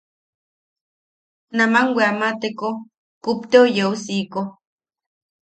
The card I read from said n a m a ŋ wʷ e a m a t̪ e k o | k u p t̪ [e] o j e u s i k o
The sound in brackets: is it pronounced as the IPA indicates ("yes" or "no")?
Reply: yes